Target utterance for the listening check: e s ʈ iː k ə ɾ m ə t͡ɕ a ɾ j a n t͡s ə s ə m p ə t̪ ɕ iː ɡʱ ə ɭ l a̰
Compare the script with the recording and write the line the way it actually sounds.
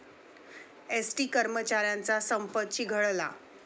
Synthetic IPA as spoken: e s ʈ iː k ə ɾ m ə t͡ɕ a ɾ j a n t͡s a s ə m p ə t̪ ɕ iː ɡʱ ə ɭ l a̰